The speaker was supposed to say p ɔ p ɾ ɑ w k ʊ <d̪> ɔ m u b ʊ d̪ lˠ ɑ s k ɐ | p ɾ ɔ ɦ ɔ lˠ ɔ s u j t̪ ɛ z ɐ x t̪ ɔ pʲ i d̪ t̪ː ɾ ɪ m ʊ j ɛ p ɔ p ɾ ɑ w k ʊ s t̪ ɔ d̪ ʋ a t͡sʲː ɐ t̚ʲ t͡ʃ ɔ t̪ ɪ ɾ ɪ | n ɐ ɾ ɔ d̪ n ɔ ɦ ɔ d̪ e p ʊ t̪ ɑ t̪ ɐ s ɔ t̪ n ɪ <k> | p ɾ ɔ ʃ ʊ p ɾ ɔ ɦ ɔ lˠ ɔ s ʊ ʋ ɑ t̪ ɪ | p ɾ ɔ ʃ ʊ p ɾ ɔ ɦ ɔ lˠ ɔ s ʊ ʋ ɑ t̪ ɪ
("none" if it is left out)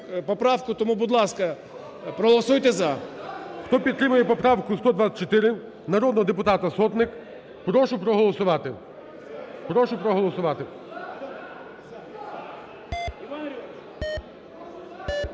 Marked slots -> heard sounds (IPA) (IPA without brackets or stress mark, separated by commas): t̪, k